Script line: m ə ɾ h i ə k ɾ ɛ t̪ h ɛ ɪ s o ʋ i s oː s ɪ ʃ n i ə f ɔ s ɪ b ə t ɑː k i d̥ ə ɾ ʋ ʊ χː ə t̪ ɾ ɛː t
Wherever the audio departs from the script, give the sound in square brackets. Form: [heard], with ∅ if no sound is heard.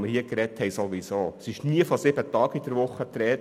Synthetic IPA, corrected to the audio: m ə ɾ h i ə k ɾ ɛ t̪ h ɛ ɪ s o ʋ i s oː s ɪ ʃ n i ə f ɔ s ɪ b ə t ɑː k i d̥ ə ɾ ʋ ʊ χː ə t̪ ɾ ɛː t